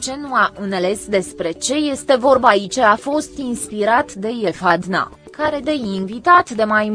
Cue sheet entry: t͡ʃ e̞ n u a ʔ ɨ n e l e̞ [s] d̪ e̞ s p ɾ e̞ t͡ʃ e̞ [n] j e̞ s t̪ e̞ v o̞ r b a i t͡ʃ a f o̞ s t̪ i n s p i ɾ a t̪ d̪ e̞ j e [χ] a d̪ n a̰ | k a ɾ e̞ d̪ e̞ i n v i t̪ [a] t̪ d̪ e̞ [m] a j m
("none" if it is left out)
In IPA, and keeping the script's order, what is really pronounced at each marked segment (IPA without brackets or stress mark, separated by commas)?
s, none, f, a, m